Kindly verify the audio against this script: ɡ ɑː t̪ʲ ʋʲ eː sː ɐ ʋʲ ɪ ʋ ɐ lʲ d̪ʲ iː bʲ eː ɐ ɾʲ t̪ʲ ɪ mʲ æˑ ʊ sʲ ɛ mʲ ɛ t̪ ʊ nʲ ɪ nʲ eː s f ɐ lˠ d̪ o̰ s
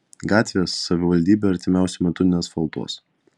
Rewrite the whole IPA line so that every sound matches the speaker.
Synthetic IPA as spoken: ɡ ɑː t̪ʲ ʋʲ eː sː ɐ ʋʲ ɪ ʋ ɐ lʲ d̪ʲ iː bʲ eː ɐ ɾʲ t̪ʲ ɪ mʲ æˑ ʊ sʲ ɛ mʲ ɛ t̪ ʊ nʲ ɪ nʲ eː s f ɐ lˠ t̪ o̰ s

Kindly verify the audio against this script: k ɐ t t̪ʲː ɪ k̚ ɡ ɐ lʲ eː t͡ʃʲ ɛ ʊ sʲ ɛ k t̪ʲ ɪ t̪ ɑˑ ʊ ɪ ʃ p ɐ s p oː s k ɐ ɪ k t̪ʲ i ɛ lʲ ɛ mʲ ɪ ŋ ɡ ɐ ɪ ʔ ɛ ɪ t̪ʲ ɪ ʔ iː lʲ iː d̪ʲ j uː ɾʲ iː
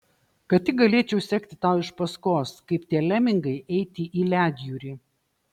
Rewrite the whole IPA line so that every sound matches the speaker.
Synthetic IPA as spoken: k ɐ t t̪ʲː ɪ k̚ ɡ ɐ lʲ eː t͡ʃʲ ɛ ʊ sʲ ɛ k t̪ʲ ɪ t̪ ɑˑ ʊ ɪ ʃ p ɐ s k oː s k ɐ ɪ p t̪ʲ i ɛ lʲ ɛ mʲ ɪ ŋ ɡ ɐ ɪ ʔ ɛ ɪ t̪ʲ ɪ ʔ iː lʲ æː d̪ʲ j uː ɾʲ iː

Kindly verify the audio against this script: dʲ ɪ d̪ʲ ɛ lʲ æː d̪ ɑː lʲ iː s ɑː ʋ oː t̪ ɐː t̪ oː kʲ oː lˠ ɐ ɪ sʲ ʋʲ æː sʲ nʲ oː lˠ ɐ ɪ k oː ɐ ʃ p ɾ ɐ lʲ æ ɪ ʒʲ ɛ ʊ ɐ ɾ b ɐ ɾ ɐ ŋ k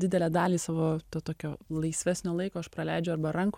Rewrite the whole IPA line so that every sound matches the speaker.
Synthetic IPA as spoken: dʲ ɪ d̪ʲ ɛ lʲ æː d̪ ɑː lʲ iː s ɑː ʋ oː t̪ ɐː t̪ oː kʲ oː lˠ ɐ ɪ sʲ ʋʲ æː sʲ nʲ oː lˠ ɐ ɪ k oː ɐ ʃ p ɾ ɐ lʲ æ ɪ d͡ʒʲ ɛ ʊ ɐ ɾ b ɐ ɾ ɐ ŋ k

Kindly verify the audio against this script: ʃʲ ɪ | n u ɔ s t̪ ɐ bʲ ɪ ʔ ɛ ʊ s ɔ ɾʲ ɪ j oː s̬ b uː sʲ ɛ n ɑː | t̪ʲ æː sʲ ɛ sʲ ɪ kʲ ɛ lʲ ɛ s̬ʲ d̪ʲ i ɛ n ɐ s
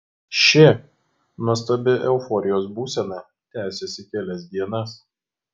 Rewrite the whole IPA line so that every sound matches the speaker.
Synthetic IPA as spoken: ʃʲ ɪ | n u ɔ s t̪ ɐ bʲ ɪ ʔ ɛ ʊ f ɔ ɾʲ ɪ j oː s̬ b uː sʲ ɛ n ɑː | t̪ʲ æː sʲ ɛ sʲ ɪ kʲ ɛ lʲ ɛ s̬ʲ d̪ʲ i ɛ n ɐ s

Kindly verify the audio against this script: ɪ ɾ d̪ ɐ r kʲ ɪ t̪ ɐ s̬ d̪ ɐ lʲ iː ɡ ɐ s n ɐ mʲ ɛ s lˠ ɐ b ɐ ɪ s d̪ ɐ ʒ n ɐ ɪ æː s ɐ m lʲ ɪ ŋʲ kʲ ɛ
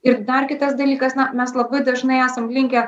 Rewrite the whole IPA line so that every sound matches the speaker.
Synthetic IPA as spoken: ɪ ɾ d̪ ɐ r kʲ ɪ t̪ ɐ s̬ d̪ ɐ lʲ iː k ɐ s n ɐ mʲ ɛ s lˠ ɐ b ɐ ɪ d̪ ɐ ʒ n ɐ ɪ æː s ɐ m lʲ ɪ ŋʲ kʲ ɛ

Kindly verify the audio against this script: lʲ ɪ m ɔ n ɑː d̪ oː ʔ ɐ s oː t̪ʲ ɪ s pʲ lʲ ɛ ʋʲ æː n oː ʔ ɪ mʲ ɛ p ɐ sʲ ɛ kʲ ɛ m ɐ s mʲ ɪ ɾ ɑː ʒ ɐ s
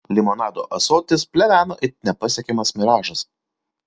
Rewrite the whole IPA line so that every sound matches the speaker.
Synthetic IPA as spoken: lʲ ɪ m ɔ n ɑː d̪ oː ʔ ɐ s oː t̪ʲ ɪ s pʲ lʲ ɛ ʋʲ æː n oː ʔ ɪ nʲ ɛ p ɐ sʲ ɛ kʲ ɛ m ɐ s mʲ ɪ ɾ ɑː ʒ ɐ s

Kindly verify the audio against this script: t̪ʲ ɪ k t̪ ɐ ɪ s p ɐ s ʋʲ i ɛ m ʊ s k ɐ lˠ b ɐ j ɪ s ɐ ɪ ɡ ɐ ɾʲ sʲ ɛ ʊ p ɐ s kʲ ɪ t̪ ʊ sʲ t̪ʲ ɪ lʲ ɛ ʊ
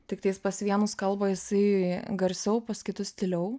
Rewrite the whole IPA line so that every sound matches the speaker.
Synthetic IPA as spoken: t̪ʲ ɪ k t̪ ɐ ɪ s p ɐ s ʋʲ i ɛ n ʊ s k ɐ lˠ b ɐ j ɪ s ɐ ɪ ɡ ɐ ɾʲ sʲ ɛ ʊ p ɐ s kʲ ɪ t̪ ʊ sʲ t̪ʲ ɪ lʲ ɛ ʊ

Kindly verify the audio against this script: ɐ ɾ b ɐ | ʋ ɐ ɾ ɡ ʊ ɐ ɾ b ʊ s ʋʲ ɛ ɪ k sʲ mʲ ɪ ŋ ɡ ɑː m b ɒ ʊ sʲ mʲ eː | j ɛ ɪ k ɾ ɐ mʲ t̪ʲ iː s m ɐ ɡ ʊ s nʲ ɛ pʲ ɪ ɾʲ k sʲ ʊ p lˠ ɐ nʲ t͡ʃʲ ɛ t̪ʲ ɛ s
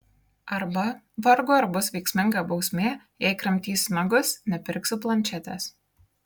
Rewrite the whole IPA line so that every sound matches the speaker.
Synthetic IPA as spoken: ɐ ɾ b ɐ | ʋ ɐ ɾ ɡ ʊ ɐ ɾ b ʊ s ʋʲ ɛ ɪ k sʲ mʲ ɪ ŋ ɡ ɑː b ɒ ʊ sʲ mʲ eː | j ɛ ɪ k ɾ ɐ mʲ t̪ʲ iː s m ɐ ɡ ʊ s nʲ ɛ pʲ ɪ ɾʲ k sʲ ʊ p lˠ ɐ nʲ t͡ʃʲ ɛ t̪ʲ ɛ s

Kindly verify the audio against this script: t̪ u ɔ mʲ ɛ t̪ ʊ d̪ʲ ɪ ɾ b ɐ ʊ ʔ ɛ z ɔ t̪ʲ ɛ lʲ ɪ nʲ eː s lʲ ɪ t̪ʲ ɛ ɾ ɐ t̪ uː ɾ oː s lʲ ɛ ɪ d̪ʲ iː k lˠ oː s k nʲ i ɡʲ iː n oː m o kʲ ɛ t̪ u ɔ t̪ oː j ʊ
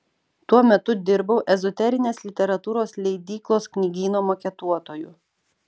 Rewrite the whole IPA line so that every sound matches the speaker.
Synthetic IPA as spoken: t̪ u ɔ mʲ ɛ t̪ ʊ d̪ʲ ɪ ɾ b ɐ ʊ ʔ ɛ z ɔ t̪ʲ ɛ ɾʲ ɪ nʲ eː s lʲ ɪ t̪ʲ ɛ ɾ ɐ t̪ uː ɾ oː s lʲ ɛ ɪ d̪ʲ iː k lˠ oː s k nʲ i ɡʲ iː n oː m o kʲ ɛ t̪ u ɔ t̪ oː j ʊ

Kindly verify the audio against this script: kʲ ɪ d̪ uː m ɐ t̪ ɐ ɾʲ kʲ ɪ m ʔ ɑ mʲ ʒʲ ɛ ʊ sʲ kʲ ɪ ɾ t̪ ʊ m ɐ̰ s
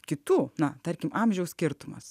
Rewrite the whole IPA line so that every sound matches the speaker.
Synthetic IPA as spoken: kʲ ɪ t̪ uː n ɐ t̪ ɐ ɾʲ kʲ ɪ m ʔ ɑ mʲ ʒʲ ɛ ʊ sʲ kʲ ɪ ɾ t̪ ʊ m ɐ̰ s

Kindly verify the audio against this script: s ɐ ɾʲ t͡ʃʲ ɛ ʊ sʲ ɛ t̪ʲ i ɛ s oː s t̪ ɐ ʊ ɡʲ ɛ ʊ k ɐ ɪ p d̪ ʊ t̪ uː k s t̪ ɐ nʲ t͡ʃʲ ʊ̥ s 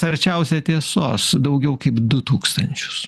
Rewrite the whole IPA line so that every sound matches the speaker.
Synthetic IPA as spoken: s ɐ ɾʲ t͡ʃʲ ɛ ʊ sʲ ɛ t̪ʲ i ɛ s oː s d̪ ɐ ʊ ɡʲ ɛ ʊ k ɐ ɪ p d̪ ʊ t̪ uː k s t̪ ɐ nʲ t͡ʃʲ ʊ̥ s

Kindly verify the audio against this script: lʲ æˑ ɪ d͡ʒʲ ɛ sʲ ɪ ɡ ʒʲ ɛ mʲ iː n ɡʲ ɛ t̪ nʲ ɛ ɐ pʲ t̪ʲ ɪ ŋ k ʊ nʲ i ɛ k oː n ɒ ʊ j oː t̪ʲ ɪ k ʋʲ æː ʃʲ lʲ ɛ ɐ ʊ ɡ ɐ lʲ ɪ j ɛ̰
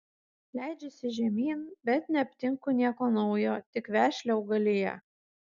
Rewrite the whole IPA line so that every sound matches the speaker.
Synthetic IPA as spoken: lʲ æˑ ɪ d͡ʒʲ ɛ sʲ ɪ ʒʲ ɛ mʲ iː n bʲ ɛ t̪ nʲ ɛ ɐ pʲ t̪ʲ ɪ ŋ k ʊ nʲ i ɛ k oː n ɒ ʊ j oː t̪ʲ ɪ k ʋʲ æː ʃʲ lʲ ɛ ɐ ʊ ɡ ɐ lʲ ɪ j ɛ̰

